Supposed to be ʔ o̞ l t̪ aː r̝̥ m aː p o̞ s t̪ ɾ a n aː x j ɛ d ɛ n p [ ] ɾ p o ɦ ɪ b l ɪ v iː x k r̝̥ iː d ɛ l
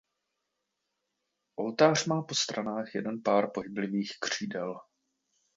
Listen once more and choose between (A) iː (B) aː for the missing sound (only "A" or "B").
B